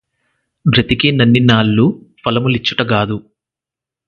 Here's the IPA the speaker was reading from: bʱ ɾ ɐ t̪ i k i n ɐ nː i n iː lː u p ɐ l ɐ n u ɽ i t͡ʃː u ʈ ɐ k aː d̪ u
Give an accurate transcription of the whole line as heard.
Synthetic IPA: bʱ ɾ ɐ t̪ i k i n ɐ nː i n aː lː u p ɐ l ɐ m u l i t͡ʃː u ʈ ɐ ɡ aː d̪ u